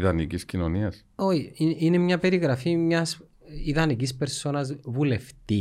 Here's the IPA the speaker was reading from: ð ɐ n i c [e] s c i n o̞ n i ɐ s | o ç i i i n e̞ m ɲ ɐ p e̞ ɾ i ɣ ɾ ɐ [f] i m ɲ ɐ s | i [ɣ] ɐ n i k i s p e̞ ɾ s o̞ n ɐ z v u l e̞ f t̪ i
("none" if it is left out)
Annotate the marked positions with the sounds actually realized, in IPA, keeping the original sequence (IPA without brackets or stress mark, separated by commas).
i, f, ð